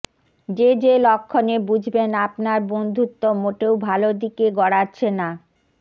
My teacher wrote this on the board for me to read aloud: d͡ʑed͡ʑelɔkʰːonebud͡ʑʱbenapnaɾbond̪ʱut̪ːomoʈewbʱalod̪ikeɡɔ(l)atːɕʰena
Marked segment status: incorrect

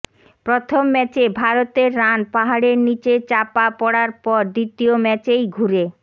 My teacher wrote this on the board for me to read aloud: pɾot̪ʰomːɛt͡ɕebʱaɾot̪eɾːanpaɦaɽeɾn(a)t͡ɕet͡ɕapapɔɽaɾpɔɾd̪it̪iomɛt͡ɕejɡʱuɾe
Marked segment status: incorrect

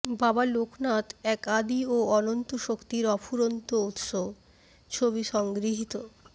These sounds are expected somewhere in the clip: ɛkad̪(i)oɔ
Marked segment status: correct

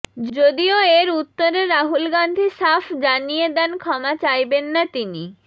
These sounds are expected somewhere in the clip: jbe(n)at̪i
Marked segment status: incorrect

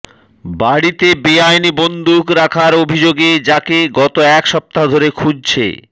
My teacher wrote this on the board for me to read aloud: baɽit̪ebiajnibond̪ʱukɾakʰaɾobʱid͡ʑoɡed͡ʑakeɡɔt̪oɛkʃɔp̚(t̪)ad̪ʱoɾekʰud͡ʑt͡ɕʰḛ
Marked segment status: correct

